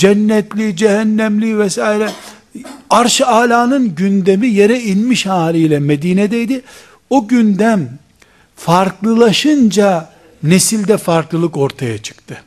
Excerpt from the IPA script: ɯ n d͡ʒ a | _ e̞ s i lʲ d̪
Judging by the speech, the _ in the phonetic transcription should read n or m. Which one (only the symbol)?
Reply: n